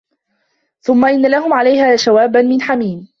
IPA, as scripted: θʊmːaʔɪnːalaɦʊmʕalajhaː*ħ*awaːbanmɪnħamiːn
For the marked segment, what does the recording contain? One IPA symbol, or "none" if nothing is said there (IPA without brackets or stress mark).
ʃ